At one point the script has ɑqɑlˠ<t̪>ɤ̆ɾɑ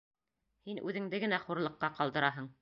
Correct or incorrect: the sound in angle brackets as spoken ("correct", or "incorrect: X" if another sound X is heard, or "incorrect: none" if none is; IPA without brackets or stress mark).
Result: incorrect: d̪